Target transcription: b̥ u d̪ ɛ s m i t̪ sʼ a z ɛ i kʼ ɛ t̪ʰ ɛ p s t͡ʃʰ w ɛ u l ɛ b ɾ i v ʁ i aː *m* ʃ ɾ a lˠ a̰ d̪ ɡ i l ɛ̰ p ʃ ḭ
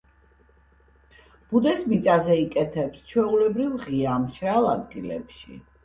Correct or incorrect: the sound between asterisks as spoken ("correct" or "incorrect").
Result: correct